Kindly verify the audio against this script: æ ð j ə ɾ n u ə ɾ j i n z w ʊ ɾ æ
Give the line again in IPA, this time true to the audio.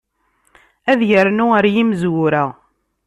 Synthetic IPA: æ ð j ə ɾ n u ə ɾ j i m z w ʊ ɾ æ